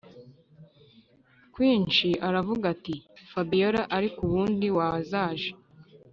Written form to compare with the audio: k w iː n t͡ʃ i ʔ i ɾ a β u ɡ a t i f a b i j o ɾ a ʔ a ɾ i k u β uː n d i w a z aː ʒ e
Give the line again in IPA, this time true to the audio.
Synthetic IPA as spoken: k w iː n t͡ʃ i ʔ a ɾ a v u ɡ a t i f a b i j o ɾ a ʔ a ɾ i k u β uː n d i w a z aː ʒ e